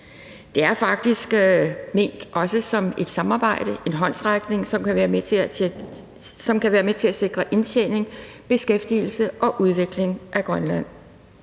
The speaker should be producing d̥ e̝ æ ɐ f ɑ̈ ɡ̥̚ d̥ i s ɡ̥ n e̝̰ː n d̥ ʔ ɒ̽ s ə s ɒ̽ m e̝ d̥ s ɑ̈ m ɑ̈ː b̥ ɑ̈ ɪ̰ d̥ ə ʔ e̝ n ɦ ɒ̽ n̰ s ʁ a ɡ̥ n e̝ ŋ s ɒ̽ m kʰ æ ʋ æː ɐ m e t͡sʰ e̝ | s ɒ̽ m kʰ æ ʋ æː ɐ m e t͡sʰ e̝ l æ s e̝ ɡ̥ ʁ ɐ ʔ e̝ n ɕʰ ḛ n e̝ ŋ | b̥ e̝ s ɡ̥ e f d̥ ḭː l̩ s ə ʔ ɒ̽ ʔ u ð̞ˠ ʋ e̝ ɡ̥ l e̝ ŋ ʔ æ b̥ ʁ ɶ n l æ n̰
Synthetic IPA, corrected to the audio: d̥ e̝ æ ɐ f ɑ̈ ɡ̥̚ d̥ i s ɡ̥ m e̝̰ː n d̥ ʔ ɒ̽ s ə s ɒ̽ m e̝ d̥ s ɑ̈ m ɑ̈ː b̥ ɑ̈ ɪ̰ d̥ ə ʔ e̝ n ɦ ɒ̽ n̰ s ʁ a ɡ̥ n e̝ ŋ s ɒ̽ m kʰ æ ʋ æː ɐ m e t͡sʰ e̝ | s ɒ̽ m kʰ æ ʋ æː ɐ m e t͡sʰ e̝ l æ s e̝ ɡ̥ ʁ ɐ ʔ e̝ n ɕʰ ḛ n e̝ ŋ | b̥ e̝ s ɡ̥ e f d̥ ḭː l̩ s ə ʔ ɒ̽ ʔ u ð̞ˠ ʋ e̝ ɡ̥ l e̝ ŋ ʔ æ ɡ̥ ʁ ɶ n l æ n̰